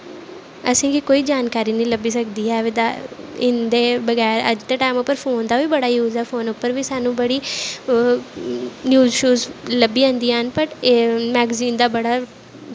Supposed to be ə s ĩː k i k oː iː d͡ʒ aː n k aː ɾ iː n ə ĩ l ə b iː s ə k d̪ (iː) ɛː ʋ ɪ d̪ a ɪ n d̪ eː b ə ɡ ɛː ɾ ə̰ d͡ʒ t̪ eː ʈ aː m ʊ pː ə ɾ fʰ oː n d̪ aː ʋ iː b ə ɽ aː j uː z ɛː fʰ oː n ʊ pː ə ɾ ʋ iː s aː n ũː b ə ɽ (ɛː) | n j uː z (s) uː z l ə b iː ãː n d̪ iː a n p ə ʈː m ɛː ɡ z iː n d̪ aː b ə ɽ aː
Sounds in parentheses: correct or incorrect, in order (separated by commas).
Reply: correct, incorrect, incorrect